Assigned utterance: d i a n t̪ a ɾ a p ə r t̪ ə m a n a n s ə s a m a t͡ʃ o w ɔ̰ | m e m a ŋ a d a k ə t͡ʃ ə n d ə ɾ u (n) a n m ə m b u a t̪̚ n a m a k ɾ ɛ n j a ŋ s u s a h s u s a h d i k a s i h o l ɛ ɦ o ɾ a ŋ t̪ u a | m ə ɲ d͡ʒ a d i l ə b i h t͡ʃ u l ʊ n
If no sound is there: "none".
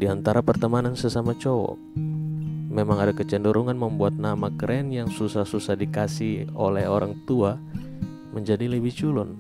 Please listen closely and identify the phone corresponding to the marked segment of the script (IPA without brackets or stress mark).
ŋ